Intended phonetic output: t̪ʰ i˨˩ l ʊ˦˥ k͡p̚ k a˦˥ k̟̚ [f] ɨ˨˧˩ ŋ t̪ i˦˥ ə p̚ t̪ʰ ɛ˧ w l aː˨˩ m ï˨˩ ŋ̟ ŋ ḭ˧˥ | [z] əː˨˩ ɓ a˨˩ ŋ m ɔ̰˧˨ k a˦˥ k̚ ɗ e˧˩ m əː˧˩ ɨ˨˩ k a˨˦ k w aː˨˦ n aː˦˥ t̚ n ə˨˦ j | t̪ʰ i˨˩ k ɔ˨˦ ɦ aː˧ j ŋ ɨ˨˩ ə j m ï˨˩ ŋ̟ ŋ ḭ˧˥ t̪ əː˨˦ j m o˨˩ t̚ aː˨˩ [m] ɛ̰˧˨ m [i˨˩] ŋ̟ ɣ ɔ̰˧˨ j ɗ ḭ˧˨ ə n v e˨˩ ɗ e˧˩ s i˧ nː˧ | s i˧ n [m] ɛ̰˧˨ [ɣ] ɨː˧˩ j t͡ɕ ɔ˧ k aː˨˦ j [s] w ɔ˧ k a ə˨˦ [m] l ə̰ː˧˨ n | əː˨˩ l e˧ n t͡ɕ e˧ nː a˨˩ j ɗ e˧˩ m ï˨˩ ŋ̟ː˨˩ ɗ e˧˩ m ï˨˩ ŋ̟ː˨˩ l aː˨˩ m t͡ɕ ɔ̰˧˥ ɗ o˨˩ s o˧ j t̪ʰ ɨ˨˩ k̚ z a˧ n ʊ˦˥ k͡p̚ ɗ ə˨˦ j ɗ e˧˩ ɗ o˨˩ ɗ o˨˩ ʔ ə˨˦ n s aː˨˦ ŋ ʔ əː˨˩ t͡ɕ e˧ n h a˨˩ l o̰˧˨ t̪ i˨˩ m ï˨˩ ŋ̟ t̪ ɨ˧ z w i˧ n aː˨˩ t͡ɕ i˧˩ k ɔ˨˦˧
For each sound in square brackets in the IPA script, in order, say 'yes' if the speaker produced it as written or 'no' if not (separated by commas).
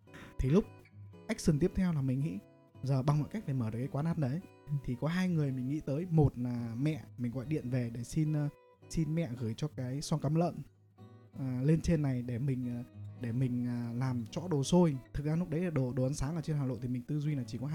no, yes, yes, yes, yes, yes, yes, yes